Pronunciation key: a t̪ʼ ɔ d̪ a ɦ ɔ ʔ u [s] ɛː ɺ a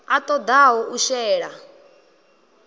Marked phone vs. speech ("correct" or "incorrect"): incorrect